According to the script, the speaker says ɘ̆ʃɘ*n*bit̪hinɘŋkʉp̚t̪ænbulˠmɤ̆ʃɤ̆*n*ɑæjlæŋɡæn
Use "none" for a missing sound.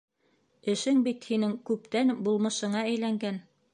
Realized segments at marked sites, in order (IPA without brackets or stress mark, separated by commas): ŋ, ɴ